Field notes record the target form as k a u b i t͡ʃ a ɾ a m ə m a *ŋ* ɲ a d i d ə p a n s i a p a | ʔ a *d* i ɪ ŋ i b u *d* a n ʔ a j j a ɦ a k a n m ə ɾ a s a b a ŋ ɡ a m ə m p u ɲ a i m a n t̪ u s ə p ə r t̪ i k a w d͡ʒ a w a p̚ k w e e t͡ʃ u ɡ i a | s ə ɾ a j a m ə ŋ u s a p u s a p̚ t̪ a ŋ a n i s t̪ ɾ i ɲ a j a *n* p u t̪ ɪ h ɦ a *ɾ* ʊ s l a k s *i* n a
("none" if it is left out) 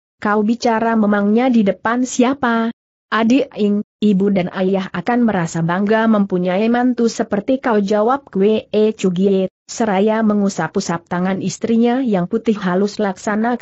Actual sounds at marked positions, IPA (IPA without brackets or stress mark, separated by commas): ŋ, d, d, ŋ, l, a